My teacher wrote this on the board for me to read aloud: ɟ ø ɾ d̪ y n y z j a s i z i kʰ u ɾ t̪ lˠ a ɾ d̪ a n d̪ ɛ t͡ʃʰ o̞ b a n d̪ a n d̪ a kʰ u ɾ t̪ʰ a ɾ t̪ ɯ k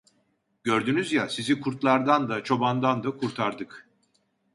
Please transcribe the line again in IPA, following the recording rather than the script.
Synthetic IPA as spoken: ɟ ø ɾ d̪ y n y z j a s i z i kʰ u ɾ t̪ lˠ a ɾ d̪ a n d̪ a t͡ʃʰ o̞ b a n d̪ a n d̪ a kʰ u ɾ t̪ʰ a ɾ d̪ ɯ k